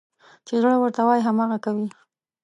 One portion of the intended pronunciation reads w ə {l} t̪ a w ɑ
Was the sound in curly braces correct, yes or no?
no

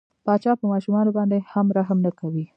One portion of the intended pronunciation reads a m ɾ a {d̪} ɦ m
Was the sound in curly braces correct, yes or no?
no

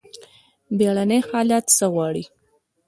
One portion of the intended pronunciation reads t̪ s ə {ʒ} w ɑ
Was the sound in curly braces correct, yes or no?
no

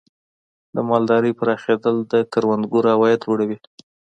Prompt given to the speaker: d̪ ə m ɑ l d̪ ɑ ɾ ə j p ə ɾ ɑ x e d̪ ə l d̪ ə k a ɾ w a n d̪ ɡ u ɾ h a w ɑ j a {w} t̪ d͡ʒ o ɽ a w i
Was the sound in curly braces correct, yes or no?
no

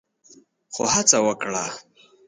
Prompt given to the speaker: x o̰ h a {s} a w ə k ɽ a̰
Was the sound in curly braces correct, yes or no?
no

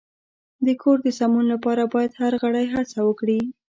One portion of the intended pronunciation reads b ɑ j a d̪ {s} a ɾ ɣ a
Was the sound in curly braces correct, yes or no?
no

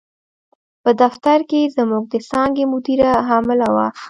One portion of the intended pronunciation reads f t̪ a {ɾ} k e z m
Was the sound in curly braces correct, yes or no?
yes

